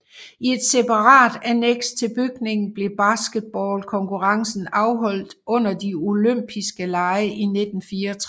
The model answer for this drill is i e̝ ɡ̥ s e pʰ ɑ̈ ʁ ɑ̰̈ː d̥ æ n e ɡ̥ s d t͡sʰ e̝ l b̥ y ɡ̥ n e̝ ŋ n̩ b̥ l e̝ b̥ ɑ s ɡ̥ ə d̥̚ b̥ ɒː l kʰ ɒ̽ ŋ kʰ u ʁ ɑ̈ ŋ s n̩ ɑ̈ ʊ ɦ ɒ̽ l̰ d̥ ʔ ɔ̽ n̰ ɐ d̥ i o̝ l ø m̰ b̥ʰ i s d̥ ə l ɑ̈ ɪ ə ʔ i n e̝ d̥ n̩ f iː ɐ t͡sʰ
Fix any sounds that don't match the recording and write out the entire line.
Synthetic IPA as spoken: i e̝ d̥ s e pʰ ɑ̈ ʁ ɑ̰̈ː d̥ æ n e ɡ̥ s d t͡sʰ e̝ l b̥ y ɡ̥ n e̝ ŋ n̩ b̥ l e̝ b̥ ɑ s ɡ̥ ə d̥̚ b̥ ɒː l kʰ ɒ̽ ŋ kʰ u ʁ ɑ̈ ŋ s n̩ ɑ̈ ʊ ɦ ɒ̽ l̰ d̥ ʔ ɔ̽ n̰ ɐ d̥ i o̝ l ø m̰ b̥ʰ i s ɡ̥ ə l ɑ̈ ɪ ə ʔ i n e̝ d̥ n̩ f iː ɐ t͡sʰ